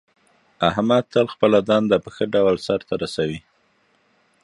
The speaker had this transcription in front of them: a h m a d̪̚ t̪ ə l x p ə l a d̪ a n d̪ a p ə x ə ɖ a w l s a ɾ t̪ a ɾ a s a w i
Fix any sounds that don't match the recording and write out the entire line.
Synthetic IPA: a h m a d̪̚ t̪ ə l x p ə l a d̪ ɑ n d̪ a p ə x ə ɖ a w l s a ɾ t̪ a ɾ a s a w i